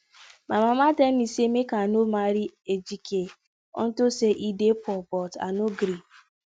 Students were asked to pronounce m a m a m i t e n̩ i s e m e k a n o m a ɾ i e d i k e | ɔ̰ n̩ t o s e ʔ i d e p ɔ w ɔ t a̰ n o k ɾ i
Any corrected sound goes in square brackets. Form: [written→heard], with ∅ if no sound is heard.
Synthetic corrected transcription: m a m a m [i→a] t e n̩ i s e m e k a n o m a ɾ i e [d→d͡ʒ] i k e | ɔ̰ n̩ t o s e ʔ i d e p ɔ [w→b] ɔ t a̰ n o [k→ɡ] ɾ i